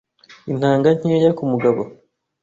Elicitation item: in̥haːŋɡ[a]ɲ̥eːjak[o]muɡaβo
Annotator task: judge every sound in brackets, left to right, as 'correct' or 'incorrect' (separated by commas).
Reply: correct, incorrect